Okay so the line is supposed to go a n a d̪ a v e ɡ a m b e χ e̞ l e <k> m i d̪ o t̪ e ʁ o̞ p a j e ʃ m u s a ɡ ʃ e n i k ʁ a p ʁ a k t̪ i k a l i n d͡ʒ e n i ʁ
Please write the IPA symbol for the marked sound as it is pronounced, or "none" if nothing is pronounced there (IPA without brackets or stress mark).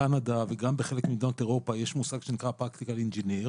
k